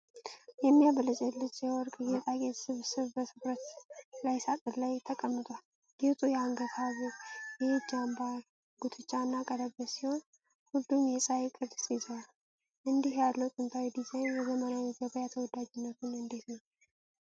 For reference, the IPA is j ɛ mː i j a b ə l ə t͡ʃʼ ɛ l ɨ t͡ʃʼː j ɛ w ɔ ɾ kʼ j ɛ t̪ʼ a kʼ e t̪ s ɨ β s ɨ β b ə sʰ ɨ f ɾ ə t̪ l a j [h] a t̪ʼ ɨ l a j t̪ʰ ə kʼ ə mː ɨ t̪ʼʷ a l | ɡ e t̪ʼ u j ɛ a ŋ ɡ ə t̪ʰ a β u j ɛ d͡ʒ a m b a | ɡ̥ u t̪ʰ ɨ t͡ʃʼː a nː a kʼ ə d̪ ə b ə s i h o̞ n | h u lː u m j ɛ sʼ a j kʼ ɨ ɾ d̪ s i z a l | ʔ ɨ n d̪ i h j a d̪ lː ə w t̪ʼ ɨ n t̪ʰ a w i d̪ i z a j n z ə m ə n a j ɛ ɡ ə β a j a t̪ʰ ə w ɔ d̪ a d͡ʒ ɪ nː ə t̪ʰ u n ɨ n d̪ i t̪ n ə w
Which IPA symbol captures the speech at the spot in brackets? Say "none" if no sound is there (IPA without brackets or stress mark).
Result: s